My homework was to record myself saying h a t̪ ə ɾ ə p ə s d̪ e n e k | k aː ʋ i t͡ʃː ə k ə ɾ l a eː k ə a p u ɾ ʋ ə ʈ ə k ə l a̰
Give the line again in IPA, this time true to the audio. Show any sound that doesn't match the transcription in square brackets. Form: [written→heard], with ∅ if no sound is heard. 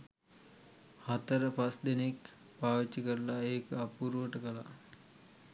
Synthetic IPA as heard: h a t̪ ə ɾ ə p [ə→a] s d̪ e n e k | [k→p] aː ʋ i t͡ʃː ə k ə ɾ l a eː k ə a p u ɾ ʋ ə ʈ ə k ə l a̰